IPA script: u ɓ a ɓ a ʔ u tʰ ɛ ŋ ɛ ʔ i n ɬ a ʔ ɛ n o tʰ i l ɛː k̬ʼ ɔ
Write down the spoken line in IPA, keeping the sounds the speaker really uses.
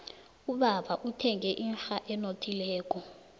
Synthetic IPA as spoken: u ɓ a ɓ a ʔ u tʰ ɛ ŋ ɛ ʔ i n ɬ a ʔ ɛ n o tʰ i l ɛː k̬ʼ ɔ